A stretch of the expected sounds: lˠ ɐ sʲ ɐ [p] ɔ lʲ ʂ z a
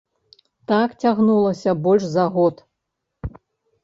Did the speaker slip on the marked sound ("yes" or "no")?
yes